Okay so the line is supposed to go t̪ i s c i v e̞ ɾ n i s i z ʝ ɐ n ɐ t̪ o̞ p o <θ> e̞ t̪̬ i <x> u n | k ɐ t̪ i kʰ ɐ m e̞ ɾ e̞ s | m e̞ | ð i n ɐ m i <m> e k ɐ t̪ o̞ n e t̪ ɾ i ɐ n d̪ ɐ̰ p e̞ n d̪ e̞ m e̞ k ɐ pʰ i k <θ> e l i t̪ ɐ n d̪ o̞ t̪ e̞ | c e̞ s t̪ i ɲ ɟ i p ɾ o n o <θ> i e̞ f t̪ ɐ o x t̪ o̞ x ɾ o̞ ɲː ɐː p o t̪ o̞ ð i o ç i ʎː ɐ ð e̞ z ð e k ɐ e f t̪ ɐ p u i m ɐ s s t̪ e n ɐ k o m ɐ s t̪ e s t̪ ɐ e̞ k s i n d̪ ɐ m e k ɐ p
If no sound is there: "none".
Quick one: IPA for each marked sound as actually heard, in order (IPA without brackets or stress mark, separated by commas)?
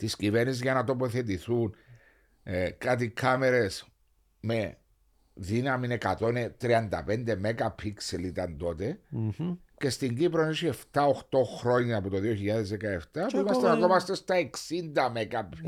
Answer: θ, θ, n, s, s